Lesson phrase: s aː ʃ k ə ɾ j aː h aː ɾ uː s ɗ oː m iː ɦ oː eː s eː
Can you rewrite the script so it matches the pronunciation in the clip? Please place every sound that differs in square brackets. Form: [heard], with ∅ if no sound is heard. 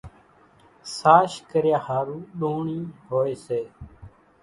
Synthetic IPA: s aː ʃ k ə ɾ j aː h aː ɾ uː [∅] ɗ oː [ɳ] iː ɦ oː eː s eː